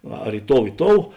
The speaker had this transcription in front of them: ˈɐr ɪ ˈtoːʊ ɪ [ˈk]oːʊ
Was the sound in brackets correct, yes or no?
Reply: no